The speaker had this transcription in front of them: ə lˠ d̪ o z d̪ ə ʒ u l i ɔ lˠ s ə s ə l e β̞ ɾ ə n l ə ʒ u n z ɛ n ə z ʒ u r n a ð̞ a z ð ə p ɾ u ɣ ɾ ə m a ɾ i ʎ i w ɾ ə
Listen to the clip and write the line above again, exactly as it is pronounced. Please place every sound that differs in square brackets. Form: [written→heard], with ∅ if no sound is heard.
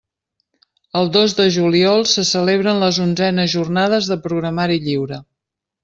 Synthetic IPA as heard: ə lˠ d̪ o z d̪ ə ʒ u l i ɔ lˠ s ə s ə l e β̞ ɾ ə n l ə [ʒ→z] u n z ɛ n ə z ʒ u r n a ð̞ [a→ə] z ð ə p ɾ u ɣ ɾ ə m a ɾ i ʎ i w ɾ ə